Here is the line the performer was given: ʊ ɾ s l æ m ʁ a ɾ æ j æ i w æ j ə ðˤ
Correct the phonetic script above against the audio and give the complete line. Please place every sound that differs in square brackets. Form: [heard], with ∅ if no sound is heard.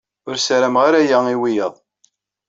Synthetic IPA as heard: ʊ ɾ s [ɾ] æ m ʁ a ɾ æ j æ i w [i] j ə ðˤ